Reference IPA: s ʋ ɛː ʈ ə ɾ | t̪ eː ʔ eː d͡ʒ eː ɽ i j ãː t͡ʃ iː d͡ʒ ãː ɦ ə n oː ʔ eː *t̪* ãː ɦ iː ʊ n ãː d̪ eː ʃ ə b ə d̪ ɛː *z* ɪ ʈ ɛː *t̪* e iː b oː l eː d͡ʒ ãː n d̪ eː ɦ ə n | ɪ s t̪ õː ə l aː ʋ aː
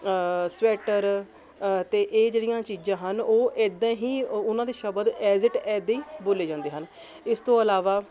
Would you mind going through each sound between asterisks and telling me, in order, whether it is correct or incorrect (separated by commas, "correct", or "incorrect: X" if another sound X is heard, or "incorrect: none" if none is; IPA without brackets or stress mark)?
incorrect: d̪, correct, incorrect: d̪